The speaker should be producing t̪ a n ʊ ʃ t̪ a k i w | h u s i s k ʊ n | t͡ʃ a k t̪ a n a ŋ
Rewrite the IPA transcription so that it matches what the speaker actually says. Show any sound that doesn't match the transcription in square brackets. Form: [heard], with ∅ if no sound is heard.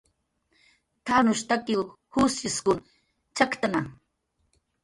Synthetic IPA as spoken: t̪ a n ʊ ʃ t̪ a k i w | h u s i s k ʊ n | t͡ʃ a k t̪ a n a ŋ